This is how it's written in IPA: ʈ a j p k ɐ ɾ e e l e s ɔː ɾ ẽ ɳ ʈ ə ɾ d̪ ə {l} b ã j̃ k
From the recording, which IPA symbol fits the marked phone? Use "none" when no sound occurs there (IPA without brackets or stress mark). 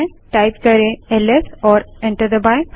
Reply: none